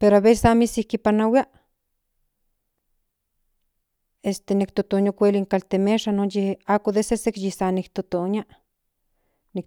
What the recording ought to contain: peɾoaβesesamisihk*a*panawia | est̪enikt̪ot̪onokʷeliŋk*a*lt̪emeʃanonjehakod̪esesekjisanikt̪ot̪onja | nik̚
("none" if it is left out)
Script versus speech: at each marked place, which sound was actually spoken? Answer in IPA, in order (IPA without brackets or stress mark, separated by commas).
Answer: i, a